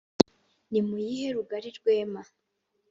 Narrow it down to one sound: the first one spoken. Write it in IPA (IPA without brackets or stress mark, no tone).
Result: n